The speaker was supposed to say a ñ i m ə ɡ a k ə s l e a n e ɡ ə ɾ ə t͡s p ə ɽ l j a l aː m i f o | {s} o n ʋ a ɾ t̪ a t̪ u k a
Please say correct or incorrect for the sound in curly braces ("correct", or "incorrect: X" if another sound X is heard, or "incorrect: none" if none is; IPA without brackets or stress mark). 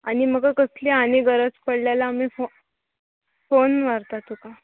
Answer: incorrect: f